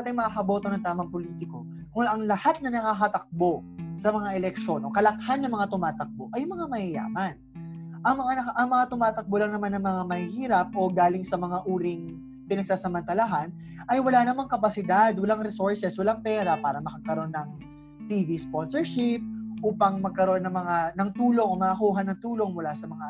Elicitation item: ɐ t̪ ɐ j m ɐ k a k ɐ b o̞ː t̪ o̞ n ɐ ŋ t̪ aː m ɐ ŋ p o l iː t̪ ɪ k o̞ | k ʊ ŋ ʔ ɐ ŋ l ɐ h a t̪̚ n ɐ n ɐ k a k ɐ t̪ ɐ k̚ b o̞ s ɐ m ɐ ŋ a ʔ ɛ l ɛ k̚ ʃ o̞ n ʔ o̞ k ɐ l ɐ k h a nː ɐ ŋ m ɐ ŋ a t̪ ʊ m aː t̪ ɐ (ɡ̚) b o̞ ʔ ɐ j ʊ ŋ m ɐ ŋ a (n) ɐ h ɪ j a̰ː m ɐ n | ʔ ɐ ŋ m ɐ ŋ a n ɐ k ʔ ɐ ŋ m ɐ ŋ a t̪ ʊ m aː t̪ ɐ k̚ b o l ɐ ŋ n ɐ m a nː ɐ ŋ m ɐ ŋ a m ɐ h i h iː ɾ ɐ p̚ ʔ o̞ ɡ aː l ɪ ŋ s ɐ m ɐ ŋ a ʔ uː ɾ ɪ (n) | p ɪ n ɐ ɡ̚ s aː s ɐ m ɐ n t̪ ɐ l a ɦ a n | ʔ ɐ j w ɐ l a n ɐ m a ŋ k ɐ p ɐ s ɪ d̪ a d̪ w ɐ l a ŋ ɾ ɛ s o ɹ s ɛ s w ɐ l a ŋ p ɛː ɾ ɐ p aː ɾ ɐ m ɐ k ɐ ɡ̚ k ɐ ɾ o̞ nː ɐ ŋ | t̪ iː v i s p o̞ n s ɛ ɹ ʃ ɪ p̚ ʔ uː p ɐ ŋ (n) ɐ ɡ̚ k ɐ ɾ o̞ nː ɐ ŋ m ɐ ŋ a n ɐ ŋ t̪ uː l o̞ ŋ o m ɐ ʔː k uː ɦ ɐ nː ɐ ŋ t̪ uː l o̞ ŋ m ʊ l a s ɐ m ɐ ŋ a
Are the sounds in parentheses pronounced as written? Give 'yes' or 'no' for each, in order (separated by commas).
no, no, no, no